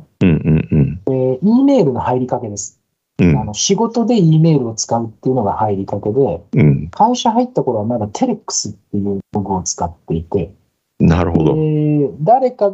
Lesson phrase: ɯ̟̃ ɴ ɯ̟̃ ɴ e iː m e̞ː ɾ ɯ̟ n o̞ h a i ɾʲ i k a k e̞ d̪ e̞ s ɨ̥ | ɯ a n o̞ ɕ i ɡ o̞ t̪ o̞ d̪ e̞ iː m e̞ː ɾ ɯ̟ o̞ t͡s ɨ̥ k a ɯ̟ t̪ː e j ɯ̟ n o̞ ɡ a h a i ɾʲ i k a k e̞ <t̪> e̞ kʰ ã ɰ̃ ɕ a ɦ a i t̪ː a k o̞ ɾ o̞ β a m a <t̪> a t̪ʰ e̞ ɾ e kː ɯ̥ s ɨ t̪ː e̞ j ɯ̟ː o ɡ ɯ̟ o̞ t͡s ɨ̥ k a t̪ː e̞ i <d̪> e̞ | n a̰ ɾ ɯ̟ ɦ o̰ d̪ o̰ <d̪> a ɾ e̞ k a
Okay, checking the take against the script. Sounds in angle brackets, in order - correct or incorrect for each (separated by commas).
incorrect, incorrect, incorrect, correct